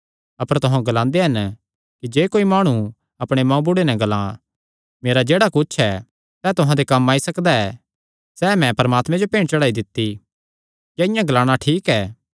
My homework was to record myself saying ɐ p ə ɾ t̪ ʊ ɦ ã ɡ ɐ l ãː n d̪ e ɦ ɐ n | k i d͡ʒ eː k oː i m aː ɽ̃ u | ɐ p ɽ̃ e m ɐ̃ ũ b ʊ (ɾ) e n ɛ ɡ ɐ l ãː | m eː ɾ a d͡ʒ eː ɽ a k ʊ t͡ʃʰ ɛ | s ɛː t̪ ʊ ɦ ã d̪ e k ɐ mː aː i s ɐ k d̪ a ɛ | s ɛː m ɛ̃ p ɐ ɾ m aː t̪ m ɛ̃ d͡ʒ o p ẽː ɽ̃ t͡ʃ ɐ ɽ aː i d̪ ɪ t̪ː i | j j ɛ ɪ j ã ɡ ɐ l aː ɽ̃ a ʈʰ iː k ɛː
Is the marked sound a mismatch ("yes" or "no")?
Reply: yes